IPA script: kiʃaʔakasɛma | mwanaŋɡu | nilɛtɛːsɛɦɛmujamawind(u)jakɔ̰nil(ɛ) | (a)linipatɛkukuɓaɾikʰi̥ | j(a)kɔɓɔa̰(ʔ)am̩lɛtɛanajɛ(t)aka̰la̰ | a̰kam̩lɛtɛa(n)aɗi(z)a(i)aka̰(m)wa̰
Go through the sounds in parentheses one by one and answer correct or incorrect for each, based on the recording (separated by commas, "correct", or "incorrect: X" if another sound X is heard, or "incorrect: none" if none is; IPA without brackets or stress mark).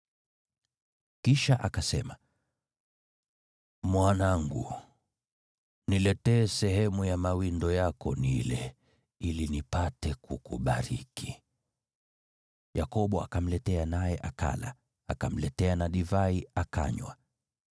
incorrect: ɔ, correct, incorrect: i, correct, incorrect: k, incorrect: ʔ, correct, incorrect: v, correct, incorrect: ɲ